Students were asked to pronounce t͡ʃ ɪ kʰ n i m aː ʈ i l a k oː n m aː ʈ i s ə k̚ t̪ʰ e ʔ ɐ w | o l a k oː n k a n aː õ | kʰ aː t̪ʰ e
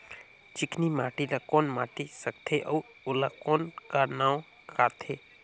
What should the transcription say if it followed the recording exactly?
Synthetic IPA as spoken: t͡ʃ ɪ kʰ n i m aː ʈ i l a k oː n m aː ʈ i s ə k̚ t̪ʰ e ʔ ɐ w | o l a k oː n k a n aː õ | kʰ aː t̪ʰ e